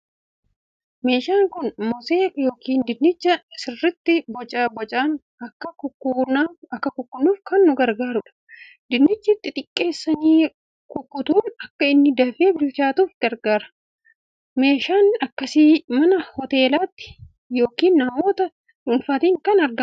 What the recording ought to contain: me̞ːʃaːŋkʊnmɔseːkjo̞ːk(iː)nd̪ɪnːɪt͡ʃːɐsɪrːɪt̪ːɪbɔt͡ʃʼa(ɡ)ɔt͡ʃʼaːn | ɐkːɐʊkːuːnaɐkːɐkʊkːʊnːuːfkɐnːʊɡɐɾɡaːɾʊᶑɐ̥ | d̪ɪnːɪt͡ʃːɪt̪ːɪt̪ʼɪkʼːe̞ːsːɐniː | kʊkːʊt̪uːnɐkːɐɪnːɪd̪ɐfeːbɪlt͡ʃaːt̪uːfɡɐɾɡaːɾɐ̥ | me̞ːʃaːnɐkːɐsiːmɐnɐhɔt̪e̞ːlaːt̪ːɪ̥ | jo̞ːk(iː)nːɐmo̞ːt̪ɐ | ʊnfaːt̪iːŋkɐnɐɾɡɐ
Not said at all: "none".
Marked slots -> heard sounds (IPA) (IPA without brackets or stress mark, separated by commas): iː, b, iː